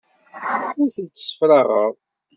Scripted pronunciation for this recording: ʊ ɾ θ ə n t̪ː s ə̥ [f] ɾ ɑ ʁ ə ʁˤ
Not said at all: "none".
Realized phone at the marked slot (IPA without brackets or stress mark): f